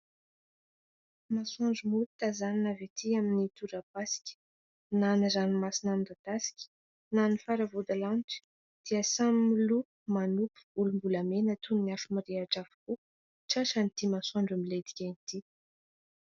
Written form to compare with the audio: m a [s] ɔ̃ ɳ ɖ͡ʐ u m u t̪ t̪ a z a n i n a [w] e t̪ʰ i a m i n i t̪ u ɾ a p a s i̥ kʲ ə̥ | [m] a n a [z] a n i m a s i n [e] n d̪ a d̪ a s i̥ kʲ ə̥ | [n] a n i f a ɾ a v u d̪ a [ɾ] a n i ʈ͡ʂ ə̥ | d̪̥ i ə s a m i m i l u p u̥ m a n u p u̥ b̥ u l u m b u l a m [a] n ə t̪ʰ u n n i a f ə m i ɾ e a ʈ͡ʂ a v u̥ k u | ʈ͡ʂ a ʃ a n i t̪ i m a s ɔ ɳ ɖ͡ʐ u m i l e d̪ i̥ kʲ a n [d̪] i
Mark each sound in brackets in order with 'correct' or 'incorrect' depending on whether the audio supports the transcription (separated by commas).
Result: correct, incorrect, incorrect, correct, incorrect, correct, incorrect, incorrect, incorrect